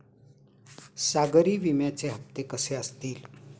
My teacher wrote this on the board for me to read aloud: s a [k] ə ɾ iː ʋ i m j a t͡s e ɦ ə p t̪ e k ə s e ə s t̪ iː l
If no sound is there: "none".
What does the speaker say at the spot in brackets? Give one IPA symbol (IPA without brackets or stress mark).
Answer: ɡ